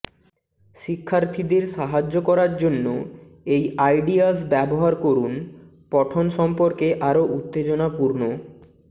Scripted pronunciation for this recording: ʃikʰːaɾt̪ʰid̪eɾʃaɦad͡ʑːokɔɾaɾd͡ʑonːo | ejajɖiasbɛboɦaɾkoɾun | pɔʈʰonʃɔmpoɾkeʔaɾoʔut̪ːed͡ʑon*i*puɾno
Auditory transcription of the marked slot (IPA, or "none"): a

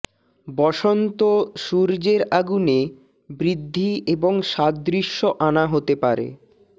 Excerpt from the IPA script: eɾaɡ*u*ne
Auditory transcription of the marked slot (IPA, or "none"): u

